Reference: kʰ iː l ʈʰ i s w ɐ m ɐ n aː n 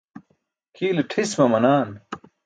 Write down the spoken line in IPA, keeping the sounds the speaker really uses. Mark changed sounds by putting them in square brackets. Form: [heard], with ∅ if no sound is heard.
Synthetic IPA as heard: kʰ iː l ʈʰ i s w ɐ m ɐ n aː n